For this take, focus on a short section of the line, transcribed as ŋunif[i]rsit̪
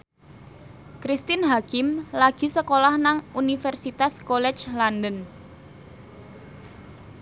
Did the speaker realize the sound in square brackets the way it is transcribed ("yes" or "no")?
no